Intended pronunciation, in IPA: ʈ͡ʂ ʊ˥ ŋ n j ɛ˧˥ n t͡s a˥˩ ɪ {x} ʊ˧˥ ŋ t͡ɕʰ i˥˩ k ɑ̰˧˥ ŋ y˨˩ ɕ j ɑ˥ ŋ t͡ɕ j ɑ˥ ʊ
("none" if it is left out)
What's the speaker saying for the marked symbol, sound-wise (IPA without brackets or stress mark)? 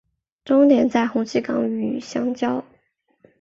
x